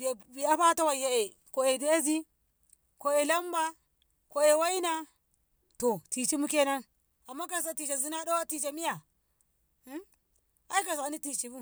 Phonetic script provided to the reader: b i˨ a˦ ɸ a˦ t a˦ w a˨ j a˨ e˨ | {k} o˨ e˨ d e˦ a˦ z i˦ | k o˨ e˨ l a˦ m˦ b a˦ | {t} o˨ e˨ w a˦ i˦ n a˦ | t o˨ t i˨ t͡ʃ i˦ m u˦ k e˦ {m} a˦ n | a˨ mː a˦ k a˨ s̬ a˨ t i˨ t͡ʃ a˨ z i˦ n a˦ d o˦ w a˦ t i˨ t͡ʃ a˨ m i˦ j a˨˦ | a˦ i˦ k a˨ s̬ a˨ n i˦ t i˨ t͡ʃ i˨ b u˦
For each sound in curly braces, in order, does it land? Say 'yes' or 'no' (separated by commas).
yes, no, no